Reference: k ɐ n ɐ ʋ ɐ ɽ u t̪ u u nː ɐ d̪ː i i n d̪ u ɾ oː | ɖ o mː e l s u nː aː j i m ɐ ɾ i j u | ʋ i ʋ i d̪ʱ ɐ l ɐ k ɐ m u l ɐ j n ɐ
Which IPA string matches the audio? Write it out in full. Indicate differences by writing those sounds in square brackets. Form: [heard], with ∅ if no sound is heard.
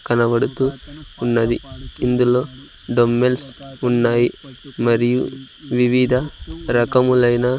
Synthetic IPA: k ɐ n ɐ ʋ ɐ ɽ u t̪ u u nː ɐ [d̪] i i n d̪ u [l] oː | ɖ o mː e l s u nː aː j i m ɐ ɾ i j u | ʋ i ʋ i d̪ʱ ɐ [ɾ] ɐ k ɐ m u l ɐ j n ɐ